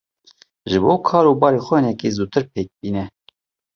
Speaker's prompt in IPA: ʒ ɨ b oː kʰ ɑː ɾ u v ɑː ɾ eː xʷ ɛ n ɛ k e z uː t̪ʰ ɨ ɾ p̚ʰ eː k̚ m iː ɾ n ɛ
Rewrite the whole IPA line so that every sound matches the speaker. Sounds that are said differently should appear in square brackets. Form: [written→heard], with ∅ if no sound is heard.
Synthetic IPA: ʒ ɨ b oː kʰ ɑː ɾ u [v→b] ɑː ɾ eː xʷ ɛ n ɛ k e z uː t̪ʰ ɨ ɾ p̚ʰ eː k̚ [m→b] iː [ɾ→∅] n ɛ